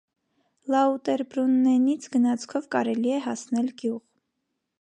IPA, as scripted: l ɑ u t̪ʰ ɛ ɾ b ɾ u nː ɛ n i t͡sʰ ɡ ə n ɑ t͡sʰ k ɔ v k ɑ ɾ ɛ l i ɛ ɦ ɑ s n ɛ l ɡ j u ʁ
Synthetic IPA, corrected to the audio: l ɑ u t̪ ɛ ɾ b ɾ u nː ɛ n i t͡sʰ ɡ ə n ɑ t͡sʰ kʰ ɔ v k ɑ ɾ ɛ l i ɛ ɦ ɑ s n ɛ l ɡ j u ʁ